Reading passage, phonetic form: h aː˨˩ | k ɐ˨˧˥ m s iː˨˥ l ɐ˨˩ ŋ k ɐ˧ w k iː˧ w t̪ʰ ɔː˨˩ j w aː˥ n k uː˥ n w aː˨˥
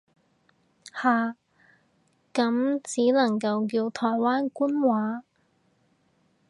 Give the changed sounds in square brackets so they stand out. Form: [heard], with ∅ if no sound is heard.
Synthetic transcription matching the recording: h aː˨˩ | k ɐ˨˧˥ m [t͡s] iː˨˥ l ɐ˨˩ ŋ k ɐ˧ w k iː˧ w t̪ʰ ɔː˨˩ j w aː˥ n k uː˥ n w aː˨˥